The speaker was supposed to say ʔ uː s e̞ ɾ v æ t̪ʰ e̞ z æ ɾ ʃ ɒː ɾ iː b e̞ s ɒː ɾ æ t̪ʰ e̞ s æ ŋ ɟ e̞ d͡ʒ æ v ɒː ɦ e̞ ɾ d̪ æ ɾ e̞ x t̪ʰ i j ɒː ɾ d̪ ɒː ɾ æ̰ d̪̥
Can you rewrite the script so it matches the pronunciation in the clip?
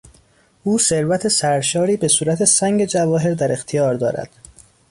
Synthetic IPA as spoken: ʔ uː s e̞ ɾ v æ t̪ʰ e̞ s æ ɾ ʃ ɒː ɾ iː b e̞ s uː ɾ æ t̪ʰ e̞ s æ ŋ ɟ e̞ d͡ʒ æ v ɒː ɦ e̞ ɾ d̪ æ ɾ e̞ x t̪ʰ i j ɒː ɾ d̪ ɒː ɾ æ̰ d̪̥